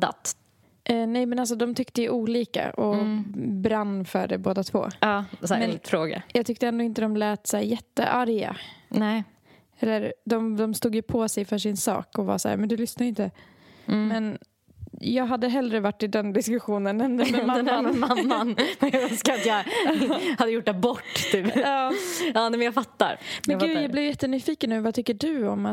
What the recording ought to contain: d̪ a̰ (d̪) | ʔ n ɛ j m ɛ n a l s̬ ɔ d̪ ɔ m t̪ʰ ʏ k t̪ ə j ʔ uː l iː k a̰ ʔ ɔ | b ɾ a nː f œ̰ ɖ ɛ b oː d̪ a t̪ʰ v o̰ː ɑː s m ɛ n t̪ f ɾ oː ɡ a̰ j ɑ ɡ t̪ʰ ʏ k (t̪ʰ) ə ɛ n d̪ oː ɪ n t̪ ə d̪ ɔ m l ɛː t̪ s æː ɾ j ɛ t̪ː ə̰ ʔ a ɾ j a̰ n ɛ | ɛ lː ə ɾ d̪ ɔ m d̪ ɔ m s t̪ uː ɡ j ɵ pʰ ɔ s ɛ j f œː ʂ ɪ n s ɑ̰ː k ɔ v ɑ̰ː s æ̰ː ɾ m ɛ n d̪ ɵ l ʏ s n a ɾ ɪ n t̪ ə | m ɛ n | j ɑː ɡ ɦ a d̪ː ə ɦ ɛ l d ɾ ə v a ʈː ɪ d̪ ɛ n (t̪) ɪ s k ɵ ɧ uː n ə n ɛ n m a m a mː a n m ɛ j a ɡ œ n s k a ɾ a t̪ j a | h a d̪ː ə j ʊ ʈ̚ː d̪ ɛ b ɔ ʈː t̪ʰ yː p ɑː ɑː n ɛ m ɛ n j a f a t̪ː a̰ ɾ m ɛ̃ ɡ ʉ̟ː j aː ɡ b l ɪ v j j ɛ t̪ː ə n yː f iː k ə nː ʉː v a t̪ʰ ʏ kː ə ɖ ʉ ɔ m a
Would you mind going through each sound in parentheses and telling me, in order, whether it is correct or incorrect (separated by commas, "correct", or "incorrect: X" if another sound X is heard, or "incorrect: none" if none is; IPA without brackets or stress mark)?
incorrect: t̪, incorrect: t̪, incorrect: d̪